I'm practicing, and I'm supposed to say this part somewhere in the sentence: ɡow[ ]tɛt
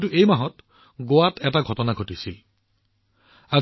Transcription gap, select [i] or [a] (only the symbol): a